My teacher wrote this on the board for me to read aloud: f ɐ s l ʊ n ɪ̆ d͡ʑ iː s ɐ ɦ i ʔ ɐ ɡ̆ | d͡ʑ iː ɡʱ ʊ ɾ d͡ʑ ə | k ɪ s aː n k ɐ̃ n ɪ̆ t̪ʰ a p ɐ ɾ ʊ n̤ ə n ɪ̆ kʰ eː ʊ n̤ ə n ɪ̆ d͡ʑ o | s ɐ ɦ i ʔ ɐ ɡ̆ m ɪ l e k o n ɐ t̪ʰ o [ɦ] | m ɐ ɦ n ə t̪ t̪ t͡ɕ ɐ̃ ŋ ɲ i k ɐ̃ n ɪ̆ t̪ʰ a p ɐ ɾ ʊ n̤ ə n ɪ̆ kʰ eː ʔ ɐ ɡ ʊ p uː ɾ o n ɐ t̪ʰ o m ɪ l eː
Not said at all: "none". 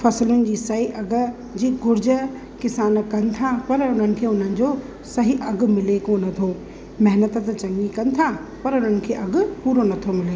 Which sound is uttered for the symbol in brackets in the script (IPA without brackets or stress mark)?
none